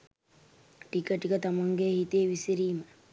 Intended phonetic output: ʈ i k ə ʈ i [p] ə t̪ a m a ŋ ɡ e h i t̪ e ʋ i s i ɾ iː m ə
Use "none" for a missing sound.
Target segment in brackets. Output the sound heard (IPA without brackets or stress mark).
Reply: k